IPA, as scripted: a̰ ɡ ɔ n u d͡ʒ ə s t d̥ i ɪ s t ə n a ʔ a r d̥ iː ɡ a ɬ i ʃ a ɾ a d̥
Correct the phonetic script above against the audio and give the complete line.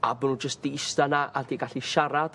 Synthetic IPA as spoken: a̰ b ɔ n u d͡ʒ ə s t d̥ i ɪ s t a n a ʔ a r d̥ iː ɡ a ɬ i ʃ a ɾ a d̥